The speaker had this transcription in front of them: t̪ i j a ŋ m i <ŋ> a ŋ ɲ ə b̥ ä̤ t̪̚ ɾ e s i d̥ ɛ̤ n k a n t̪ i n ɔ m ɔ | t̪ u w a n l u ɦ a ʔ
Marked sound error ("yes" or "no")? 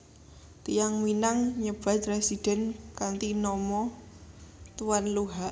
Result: yes